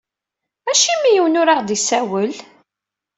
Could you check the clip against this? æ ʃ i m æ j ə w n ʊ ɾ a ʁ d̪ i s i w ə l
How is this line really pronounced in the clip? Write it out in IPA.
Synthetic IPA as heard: æ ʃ i m i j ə w n ʊ ɾ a ʁ d̪ i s æ w ə l